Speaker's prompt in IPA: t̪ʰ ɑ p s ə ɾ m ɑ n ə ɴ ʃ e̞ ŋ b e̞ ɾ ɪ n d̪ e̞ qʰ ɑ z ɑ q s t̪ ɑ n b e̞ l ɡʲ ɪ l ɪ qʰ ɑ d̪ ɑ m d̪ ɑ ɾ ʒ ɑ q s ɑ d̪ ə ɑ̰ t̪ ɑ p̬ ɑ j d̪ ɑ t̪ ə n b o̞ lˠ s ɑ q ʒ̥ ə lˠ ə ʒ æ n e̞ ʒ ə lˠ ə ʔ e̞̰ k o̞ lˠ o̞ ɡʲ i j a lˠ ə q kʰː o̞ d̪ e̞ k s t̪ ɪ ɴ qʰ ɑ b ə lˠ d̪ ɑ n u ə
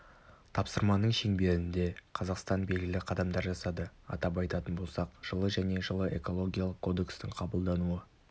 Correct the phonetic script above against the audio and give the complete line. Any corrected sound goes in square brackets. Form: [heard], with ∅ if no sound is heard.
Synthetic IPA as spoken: t̪ʰ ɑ p s ə ɾ m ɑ n ə ɴ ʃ e̞ ŋ b e̞ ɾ ɪ n d̪ e̞ qʰ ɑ z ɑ q s t̪ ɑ n b e̞ l ɡʲ ɪ l ɪ qʰ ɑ d̪ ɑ m d̪ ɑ ɾ ʒ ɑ [∅] s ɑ d̪ ə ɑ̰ t̪ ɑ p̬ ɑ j [t̪] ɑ t̪ ə n b o̞ lˠ s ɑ q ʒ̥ ə lˠ ə ʒ æ n e̞ ʒ ə lˠ ə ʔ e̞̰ k o̞ lˠ o̞ ɡʲ i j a lˠ ə q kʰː o̞ d̪ e̞ k s t̪ ɪ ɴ qʰ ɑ b ə lˠ d̪ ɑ n u ə

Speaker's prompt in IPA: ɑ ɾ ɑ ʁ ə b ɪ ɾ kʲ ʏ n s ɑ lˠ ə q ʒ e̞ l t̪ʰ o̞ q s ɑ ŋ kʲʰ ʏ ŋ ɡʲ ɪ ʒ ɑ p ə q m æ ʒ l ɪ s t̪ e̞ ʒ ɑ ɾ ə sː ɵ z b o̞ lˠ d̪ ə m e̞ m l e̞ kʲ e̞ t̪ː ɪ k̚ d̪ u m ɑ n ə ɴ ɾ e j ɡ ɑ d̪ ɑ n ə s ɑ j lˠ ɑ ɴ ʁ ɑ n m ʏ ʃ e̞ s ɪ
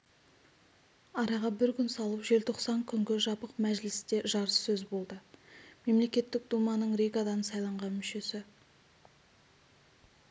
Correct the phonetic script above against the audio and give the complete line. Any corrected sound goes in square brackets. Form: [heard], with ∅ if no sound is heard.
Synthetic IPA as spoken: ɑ ɾ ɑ ʁ [ɑ] b ɪ ɾ kʲ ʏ n s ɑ lˠ ə [p] ʒ e̞ l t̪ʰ o̞ q s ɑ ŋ kʲʰ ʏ ŋ ɡʲ ɪ ʒ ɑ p ə q m æ ʒ l ɪ s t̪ e̞ ʒ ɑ ɾ ə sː ɵ z b o̞ lˠ d̪ ə m e̞ m l e̞ kʲ e̞ t̪ː ɪ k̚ d̪ u m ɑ n ə ɴ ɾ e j ɡ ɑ d̪ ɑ n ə s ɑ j lˠ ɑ ɴ ʁ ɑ n m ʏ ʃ e̞ s ɪ

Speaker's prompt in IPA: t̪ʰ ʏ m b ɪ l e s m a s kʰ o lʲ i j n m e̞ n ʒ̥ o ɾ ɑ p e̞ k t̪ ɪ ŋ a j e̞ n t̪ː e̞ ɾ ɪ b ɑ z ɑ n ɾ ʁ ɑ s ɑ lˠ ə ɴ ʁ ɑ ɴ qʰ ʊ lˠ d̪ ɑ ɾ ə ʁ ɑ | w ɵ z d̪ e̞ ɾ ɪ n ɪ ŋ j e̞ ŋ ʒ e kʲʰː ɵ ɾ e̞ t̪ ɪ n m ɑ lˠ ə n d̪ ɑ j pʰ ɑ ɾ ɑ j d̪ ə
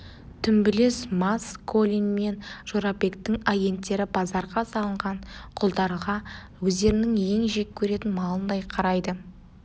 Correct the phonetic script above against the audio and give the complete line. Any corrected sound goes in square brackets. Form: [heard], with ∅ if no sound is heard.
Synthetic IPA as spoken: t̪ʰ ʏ m b ɪ l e s m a s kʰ o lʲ i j n m e̞ n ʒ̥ o ɾ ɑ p e̞ k t̪ ɪ ŋ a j e̞ n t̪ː e̞ ɾ ɪ b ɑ z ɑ [∅] ɾ ʁ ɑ s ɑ lˠ ə ɴ ʁ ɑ ɴ qʰ ʊ lˠ d̪ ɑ ɾ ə ʁ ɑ | w ɵ z d̪ e̞ ɾ ɪ n ɪ ŋ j e̞ ŋ ʒ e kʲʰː ɵ ɾ e̞ t̪ ɪ n m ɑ lˠ ə n d̪ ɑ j [qʰ] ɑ ɾ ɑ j d̪ ə

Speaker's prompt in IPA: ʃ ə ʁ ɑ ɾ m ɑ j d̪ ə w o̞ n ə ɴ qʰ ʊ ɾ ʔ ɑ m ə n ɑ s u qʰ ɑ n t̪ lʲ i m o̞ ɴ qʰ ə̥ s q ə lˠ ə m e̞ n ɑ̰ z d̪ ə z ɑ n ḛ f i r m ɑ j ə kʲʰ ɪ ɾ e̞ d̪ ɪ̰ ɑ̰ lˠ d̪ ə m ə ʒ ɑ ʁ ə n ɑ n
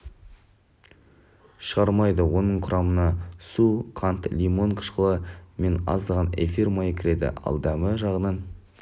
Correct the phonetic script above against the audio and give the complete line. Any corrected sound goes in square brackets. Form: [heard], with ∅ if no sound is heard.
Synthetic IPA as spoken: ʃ ə ʁ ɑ ɾ m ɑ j d̪ ə w o̞ n ə ɴ qʰ ʊ ɾ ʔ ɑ m ə n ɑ s u qʰ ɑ n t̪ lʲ i m o̞ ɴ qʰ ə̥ [ʃ] q ə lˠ ə m e̞ n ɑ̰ z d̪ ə [ʁ] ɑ n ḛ f i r m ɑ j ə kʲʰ ɪ ɾ e̞ d̪ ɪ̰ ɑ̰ lˠ d̪ [ɑ] m ə ʒ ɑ ʁ ə n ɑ n

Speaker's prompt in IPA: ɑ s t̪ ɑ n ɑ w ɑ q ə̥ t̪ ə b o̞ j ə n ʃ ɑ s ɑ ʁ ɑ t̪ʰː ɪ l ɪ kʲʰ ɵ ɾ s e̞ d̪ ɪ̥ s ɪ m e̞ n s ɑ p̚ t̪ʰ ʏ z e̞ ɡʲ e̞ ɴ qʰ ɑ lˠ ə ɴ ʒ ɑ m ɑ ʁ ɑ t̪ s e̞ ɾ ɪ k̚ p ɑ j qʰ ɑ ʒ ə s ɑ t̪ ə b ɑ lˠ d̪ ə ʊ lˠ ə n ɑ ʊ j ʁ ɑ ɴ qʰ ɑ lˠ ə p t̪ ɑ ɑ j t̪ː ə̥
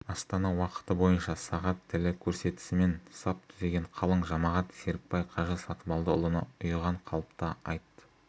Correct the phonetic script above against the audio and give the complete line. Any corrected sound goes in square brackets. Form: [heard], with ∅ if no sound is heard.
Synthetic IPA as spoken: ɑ s t̪ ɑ n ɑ w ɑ q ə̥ t̪ ə b o̞ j ə n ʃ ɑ s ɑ ʁ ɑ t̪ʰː ɪ l ɪ kʲʰ ɵ ɾ s e̞ [t̪] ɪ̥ s ɪ m e̞ n s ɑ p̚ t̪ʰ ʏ z e̞ ɡʲ e̞ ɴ qʰ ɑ lˠ ə ɴ ʒ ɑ m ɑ ʁ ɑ t̪ s e̞ ɾ ɪ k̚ p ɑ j qʰ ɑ ʒ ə s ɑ t̪ ə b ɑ lˠ d̪ ə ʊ lˠ ə n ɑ ʊ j ʁ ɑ ɴ qʰ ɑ lˠ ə p t̪ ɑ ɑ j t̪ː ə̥

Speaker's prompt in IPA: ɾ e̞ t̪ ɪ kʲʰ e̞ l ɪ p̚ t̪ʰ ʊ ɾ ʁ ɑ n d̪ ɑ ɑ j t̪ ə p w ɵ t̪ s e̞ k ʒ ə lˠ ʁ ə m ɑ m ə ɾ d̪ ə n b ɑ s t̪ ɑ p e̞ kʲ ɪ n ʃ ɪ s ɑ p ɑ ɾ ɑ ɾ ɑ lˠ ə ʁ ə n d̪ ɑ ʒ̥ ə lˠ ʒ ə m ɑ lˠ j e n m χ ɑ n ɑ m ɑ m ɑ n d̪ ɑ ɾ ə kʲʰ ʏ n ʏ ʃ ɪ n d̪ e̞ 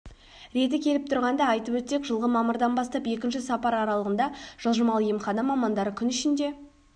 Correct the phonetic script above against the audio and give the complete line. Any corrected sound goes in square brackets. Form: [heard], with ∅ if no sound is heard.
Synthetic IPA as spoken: ɾ e̞ t̪ ɪ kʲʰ e̞ l ɪ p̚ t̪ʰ ʊ ɾ ʁ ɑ n d̪ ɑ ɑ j t̪ ə p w ɵ t̪ s e̞ k ʒ ə lˠ ʁ ə m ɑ m ə ɾ d̪ [ɑ] n b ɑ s t̪ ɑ p e̞ kʲ ɪ n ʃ ɪ s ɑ p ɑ ɾ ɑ ɾ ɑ lˠ ə ʁ ə n d̪ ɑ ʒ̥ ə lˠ ʒ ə m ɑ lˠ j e [∅] m χ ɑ n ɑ m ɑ m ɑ n d̪ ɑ ɾ ə kʲʰ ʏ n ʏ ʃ ɪ n d̪ e̞

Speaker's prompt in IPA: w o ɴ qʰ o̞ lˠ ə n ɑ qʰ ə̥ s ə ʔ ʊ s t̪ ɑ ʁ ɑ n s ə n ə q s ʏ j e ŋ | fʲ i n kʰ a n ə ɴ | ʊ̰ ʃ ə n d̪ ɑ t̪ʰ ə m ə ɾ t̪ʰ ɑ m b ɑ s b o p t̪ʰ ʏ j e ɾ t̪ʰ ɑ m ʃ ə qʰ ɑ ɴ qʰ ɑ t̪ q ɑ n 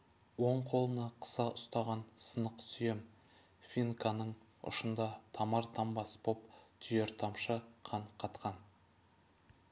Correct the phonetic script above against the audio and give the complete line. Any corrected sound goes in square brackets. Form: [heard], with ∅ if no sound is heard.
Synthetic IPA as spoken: w o ɴ qʰ o̞ lˠ ə n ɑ qʰ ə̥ s [ɑ] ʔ ʊ s t̪ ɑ ʁ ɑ n s ə n ə q s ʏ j e [m] | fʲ i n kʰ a n ə ɴ | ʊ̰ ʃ ə n d̪ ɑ t̪ʰ [ɑ] m [ɑ] ɾ t̪ʰ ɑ m b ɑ s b o p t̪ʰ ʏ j e ɾ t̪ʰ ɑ m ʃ ə qʰ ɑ ɴ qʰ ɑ t̪ q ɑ n

